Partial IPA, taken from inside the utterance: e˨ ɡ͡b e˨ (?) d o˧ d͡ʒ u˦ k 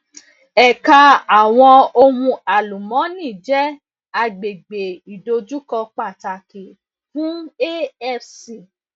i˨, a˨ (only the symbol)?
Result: i˨